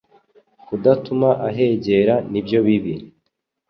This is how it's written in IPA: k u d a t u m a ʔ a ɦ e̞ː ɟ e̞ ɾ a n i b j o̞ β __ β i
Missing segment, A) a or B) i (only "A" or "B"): B